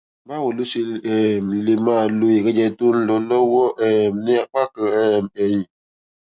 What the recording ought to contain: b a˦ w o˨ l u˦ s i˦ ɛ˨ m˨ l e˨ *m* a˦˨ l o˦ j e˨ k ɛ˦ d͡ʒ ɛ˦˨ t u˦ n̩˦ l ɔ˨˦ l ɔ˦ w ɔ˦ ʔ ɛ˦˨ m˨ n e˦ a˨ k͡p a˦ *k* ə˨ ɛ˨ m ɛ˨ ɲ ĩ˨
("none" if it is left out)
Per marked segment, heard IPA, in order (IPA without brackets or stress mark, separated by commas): m, k